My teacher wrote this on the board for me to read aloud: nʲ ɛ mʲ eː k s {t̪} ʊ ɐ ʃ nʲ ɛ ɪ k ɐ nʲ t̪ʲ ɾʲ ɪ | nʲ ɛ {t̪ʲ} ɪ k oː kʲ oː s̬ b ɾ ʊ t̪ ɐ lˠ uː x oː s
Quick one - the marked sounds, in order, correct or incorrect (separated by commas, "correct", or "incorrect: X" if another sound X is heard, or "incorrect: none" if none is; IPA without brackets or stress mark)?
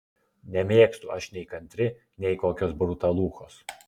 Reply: correct, incorrect: none